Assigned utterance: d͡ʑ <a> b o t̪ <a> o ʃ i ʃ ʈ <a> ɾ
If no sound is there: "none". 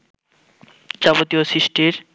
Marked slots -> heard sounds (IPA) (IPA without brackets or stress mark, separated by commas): a, i, i